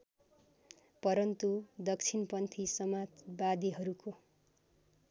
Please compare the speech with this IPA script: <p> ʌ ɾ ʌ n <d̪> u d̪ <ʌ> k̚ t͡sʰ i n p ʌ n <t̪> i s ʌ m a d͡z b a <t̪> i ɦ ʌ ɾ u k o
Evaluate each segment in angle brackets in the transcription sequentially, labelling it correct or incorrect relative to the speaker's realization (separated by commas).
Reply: correct, incorrect, correct, incorrect, incorrect